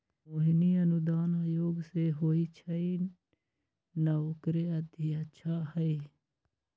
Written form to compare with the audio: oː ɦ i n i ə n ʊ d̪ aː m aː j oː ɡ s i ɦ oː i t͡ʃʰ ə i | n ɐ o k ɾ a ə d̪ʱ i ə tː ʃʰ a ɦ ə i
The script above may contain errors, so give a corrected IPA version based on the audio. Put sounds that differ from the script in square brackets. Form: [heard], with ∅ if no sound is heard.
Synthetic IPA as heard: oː ɦ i n i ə n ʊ d̪ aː [n] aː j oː ɡ s [e] ɦ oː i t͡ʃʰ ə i | n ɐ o k ɾ [e] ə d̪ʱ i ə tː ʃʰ a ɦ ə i